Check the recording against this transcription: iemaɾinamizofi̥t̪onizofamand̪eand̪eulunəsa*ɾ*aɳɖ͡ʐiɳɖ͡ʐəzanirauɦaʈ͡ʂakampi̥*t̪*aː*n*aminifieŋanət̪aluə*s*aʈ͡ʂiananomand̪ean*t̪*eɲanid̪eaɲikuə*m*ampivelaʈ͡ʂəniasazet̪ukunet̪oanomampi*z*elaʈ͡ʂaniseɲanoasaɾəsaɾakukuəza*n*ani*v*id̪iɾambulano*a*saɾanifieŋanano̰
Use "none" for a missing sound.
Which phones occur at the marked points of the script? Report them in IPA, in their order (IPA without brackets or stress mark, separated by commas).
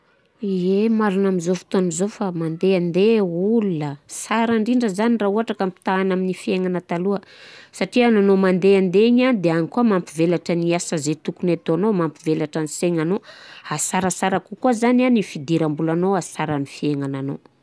ɾ, t̪, n, s, d̪, m, v, n, f, a